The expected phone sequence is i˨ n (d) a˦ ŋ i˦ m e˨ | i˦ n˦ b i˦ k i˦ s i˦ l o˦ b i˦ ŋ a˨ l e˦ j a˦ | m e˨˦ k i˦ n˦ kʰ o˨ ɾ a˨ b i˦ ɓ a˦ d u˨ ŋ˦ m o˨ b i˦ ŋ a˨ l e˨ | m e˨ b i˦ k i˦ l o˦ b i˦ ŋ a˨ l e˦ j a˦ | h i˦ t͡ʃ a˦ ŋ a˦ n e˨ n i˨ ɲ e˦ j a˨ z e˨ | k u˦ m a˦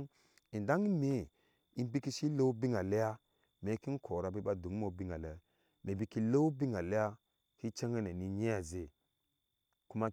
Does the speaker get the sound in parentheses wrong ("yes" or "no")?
no